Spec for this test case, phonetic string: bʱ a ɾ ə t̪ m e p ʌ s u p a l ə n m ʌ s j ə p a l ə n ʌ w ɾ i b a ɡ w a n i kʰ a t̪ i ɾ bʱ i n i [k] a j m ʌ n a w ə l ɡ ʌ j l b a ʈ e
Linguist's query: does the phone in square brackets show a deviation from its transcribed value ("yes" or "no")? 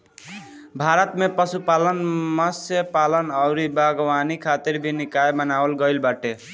no